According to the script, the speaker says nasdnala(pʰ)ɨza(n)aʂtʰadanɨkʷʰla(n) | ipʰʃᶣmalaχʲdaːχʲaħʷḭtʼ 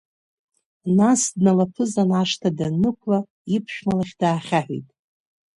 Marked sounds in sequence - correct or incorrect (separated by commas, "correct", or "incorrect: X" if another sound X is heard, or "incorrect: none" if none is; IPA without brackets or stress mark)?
correct, correct, incorrect: none